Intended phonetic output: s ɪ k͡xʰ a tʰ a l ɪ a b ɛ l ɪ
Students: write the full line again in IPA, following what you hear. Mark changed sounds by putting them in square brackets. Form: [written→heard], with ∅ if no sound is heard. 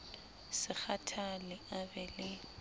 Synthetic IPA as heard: s ɪ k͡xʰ a tʰ a l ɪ a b ɛ l ɪ